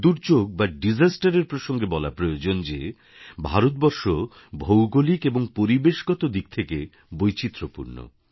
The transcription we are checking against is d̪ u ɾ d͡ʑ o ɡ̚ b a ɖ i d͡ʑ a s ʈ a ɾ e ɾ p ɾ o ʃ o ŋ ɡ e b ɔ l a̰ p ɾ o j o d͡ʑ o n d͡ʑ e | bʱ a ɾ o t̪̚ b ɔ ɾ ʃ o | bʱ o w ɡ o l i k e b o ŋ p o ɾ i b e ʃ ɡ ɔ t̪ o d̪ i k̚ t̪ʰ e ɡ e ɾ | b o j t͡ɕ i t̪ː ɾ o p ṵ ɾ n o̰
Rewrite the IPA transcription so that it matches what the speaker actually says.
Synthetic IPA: d̪ u ɾ d͡ʑ o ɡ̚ b a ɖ i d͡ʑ a s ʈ a ɾ e ɾ p ɾ o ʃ o ŋ ɡ e b ɔ l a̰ p ɾ o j o d͡ʑ o n d͡ʑ e | bʱ a ɾ o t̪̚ b ɔ ɾ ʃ o | bʱ o w ɡ o l i k e b o ŋ p o ɾ i b e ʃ ɡ ɔ t̪ o d̪ i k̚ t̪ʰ e k e | b o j t͡ɕ i t̪ː ɾ o p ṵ ɾ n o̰